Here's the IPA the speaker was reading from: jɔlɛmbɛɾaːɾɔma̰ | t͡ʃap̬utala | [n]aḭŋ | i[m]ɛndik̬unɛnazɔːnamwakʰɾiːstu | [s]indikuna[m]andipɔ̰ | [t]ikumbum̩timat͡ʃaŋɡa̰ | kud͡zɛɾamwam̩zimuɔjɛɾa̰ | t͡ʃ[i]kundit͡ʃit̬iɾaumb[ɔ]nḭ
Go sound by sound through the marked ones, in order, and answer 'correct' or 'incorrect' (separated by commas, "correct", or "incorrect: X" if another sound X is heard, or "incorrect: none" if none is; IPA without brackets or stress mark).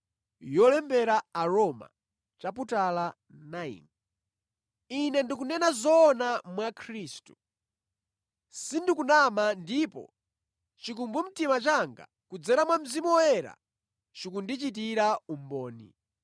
correct, incorrect: n, correct, correct, incorrect: t͡ʃ, correct, incorrect: ɔː